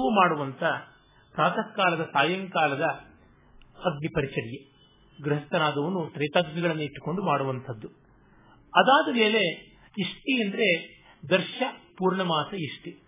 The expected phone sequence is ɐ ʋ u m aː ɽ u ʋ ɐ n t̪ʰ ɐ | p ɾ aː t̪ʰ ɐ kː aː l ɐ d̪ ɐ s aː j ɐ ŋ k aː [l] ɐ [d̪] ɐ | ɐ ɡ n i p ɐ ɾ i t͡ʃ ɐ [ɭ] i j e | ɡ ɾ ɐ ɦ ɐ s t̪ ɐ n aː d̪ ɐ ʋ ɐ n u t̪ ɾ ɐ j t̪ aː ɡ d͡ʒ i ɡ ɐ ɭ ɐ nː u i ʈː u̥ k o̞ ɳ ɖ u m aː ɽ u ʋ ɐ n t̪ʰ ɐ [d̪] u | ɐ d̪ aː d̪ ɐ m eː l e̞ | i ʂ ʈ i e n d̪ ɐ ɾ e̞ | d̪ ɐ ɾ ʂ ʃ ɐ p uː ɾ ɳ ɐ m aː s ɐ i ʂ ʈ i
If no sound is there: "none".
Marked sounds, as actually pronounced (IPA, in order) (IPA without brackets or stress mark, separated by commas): l, d̪, ɽ, d̪ː